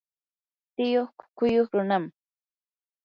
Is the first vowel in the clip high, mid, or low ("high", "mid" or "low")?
high